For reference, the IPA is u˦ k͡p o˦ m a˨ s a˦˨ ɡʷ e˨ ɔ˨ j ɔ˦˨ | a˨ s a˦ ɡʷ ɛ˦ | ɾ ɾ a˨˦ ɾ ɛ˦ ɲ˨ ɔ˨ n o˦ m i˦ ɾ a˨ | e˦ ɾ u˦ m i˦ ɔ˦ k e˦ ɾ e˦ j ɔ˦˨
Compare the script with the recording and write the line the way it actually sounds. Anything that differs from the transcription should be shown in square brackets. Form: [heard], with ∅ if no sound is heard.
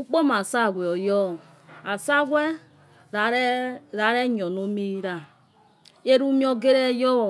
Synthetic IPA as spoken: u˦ k͡p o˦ m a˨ s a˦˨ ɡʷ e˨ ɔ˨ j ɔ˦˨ | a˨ s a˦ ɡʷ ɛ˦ | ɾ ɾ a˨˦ ɾ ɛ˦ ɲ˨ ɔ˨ n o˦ m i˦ ɾ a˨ | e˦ ɾ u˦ m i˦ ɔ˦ [ɡ] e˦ ɾ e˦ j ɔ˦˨